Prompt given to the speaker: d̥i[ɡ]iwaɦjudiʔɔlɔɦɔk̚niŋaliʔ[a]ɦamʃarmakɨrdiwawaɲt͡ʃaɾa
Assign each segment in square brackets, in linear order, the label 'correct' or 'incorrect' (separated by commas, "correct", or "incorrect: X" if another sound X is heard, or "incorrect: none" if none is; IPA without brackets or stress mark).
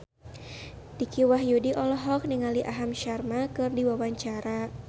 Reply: incorrect: k, correct